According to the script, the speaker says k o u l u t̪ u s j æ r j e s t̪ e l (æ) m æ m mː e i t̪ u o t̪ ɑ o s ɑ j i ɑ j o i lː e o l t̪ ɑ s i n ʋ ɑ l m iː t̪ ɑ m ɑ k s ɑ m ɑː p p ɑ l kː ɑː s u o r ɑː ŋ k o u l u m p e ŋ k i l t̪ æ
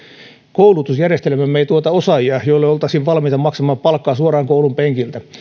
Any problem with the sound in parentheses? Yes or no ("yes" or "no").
yes